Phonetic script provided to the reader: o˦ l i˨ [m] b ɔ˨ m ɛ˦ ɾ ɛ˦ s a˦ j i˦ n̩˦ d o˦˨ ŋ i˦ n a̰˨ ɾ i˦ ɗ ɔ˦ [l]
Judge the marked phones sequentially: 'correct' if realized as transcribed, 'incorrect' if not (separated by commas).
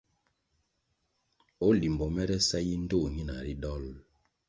correct, correct